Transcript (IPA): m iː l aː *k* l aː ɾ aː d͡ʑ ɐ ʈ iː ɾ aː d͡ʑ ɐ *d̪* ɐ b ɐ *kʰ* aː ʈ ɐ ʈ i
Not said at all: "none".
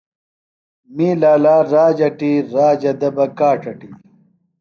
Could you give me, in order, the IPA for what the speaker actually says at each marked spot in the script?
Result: none, d̪, k

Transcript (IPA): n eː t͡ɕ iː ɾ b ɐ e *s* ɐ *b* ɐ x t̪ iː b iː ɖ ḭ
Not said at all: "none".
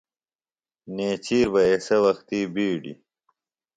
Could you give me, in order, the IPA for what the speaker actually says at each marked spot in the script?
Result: s, w

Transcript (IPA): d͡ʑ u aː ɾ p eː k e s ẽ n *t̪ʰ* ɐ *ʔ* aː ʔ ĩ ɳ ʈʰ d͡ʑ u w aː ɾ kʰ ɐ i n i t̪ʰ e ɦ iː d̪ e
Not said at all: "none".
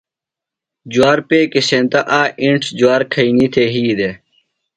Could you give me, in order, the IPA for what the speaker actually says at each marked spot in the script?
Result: t̪, ʔ

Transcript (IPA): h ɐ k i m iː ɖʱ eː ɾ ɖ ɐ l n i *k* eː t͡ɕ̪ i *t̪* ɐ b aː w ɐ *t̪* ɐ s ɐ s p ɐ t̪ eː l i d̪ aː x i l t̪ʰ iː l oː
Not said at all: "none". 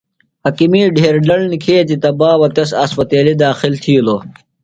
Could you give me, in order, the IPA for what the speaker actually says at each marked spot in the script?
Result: kʰ, t̪, t̪

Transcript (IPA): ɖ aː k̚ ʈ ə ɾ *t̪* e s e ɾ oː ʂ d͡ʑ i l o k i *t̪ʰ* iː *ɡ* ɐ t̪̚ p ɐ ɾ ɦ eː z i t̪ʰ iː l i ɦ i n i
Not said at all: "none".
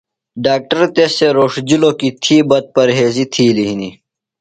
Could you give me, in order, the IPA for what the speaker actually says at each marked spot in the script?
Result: t̪, t̪ʰ, b

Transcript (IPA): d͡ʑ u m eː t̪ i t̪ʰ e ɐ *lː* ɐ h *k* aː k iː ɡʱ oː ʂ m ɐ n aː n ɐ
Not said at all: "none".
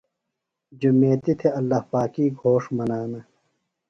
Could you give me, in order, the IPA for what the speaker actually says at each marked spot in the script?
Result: lː, p

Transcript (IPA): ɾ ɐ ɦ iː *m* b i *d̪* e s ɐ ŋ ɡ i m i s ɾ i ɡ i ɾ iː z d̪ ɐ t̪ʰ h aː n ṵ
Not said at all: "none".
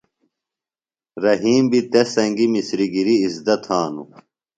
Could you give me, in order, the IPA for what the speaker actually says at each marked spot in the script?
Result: m, t̪

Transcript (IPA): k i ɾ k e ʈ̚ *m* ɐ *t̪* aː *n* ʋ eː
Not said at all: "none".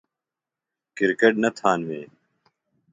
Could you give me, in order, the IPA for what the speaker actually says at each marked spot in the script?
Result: n, t̪ʰ, n

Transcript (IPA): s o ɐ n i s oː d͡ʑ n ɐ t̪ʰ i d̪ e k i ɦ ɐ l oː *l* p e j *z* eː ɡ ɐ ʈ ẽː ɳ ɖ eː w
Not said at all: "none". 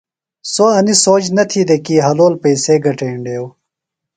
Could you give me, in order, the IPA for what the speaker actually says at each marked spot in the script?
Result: l, s

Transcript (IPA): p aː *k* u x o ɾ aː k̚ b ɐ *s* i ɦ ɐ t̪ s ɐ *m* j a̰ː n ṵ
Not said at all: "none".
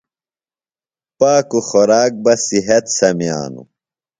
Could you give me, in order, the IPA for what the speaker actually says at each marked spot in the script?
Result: k, s, m

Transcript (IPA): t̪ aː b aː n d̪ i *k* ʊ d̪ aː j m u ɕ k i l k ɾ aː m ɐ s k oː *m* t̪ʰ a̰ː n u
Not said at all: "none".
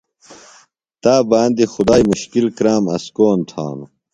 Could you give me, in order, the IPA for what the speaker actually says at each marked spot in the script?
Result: x, n

